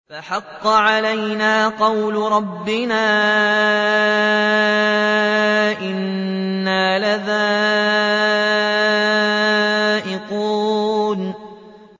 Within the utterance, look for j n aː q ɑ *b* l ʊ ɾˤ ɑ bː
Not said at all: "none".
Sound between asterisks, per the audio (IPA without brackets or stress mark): w